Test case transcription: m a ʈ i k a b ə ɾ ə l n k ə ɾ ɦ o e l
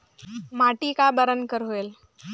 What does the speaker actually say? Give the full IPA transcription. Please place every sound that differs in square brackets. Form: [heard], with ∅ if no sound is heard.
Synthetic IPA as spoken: m a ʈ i k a b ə ɾ ə [∅] n k ə ɾ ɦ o e l